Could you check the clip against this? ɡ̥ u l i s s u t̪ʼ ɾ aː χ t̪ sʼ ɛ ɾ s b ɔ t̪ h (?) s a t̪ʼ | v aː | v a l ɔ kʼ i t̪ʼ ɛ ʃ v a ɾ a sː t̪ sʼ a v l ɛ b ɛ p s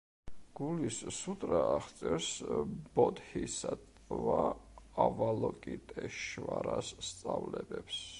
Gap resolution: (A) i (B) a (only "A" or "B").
A